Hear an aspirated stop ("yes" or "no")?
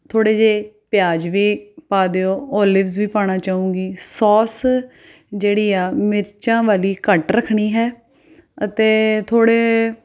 yes